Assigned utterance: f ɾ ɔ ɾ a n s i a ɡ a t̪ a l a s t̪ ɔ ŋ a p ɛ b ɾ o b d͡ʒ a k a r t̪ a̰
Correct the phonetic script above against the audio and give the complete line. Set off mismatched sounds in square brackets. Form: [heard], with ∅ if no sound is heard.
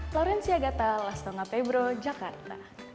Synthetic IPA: f [l] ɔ ɾ [ɛ] n s i a ɡ a t̪ a l a s t̪ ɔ ŋ a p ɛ b ɾ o [∅] d͡ʒ a k a r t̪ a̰